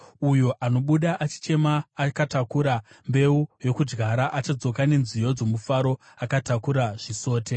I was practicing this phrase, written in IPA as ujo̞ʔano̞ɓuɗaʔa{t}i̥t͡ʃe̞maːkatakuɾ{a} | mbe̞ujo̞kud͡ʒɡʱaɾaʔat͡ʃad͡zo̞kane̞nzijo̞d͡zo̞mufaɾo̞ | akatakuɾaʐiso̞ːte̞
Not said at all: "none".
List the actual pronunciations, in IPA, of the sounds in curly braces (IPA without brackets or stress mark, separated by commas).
t͡ʃ, a